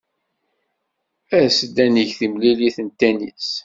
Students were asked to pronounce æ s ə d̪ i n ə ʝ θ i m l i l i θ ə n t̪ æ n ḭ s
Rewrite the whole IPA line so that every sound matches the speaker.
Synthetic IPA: æ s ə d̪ æ n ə ʝ θ i m l i l i θ ə n t̪ æ n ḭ s